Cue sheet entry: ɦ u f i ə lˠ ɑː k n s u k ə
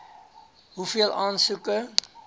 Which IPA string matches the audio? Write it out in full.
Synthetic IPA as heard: ɦ u f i ə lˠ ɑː n s u k ə